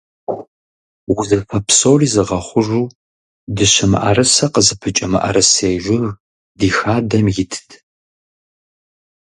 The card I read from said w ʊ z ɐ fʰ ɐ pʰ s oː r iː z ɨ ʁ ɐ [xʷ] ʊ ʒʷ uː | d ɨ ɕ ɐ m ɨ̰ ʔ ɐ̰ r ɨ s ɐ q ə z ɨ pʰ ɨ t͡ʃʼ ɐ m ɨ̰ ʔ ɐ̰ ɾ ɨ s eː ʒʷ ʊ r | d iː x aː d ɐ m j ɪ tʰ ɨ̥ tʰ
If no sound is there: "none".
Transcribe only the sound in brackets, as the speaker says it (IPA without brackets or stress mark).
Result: χʷ